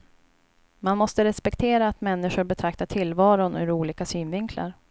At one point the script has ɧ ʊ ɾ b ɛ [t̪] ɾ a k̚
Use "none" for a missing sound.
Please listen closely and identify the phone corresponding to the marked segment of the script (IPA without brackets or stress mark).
t̪ʰ